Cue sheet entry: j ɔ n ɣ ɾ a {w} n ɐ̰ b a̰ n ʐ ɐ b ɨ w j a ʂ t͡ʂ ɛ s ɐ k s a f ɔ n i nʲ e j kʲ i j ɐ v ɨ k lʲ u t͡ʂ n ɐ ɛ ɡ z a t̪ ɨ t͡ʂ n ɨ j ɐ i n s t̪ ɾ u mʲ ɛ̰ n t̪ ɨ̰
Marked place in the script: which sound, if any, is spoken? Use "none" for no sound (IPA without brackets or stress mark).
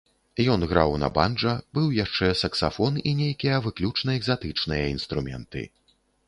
w